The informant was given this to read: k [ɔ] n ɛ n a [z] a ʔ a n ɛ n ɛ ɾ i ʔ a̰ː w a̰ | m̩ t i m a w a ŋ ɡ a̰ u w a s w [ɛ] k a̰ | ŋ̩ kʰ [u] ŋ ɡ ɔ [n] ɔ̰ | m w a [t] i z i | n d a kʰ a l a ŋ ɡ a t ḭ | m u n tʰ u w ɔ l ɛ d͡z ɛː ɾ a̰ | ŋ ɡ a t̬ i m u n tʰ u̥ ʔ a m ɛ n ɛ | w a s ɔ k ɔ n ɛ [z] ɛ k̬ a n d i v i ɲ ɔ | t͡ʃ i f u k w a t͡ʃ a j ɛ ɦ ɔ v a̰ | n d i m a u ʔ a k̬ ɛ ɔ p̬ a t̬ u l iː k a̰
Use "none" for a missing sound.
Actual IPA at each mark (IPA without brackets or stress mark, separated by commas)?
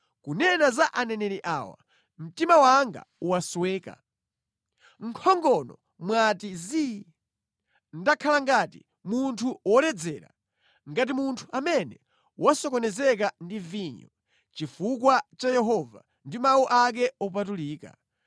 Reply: u, z, ɛː, ɔ, n, t, z